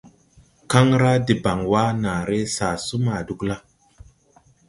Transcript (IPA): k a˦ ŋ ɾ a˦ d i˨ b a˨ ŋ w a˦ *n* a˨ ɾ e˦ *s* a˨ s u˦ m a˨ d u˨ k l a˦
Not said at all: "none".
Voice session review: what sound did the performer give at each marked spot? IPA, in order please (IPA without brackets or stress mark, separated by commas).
n, s